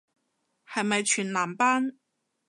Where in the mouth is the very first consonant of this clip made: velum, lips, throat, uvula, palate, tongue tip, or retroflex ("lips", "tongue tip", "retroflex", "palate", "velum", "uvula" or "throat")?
throat